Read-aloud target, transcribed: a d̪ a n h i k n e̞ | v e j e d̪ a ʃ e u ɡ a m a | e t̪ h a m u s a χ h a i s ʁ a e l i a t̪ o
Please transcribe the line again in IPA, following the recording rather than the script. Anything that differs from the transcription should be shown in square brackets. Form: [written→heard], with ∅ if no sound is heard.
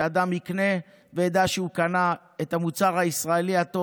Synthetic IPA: a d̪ a [n→m] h i k n e̞ | v e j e d̪ a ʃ e u [ɡ→k] a [m→n] a | e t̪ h a m u [s→t͡s] a [χ→ʁ] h a i s ʁ a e l i a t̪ o